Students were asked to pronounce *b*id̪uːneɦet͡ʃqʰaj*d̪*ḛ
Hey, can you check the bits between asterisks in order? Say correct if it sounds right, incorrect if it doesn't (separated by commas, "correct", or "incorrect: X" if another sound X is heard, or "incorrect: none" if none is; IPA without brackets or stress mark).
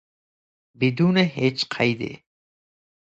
correct, correct